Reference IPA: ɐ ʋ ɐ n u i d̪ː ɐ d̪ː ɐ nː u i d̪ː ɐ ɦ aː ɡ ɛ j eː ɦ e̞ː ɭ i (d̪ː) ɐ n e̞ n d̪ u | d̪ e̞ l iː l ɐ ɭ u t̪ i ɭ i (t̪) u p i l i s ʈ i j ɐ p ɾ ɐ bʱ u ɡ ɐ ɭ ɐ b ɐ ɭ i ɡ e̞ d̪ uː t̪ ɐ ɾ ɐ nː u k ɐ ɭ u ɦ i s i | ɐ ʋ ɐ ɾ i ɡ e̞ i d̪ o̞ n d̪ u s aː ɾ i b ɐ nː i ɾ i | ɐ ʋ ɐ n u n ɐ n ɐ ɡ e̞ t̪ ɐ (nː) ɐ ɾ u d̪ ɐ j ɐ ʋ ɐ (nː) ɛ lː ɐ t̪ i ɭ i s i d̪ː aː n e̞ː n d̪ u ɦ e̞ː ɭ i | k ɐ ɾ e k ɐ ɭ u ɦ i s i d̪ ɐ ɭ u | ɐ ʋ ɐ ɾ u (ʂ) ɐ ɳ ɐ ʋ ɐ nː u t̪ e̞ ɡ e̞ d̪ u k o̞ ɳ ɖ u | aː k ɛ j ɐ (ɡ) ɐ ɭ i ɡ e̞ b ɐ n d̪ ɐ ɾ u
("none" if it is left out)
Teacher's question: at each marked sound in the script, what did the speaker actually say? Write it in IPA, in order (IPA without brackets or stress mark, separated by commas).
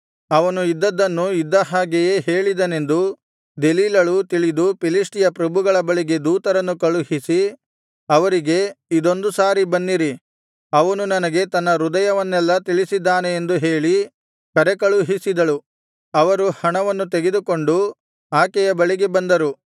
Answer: d̪, d̪, nː, nː, h, b